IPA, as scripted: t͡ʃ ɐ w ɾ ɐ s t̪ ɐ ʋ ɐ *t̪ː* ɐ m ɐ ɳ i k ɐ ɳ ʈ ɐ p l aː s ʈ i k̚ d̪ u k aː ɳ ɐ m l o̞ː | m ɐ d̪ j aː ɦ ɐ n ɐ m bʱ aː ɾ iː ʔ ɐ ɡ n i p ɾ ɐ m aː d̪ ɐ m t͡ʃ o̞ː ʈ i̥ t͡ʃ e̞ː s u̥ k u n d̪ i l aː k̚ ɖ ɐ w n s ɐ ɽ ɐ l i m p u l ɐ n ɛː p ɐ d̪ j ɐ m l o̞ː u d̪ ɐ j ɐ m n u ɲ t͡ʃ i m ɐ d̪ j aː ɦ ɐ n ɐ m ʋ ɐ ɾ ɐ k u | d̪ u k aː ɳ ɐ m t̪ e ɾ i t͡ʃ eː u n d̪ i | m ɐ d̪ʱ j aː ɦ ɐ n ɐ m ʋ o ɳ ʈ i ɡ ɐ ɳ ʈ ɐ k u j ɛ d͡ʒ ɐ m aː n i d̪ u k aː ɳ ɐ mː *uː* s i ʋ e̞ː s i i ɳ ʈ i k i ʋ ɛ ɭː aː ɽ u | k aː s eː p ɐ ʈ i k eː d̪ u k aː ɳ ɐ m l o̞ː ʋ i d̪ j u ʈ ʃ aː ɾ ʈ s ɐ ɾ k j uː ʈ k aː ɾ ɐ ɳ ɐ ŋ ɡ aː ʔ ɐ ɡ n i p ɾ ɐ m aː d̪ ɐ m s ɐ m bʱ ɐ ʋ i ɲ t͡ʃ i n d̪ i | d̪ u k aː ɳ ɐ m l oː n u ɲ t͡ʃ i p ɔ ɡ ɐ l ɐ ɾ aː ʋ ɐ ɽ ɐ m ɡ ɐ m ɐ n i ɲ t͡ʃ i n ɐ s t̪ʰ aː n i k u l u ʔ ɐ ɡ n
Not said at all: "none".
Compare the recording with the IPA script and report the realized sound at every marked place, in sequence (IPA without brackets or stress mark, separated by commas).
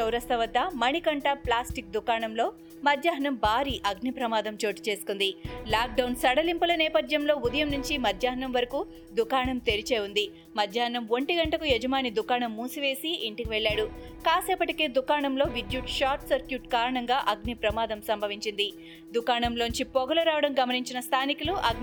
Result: d̪ː, uː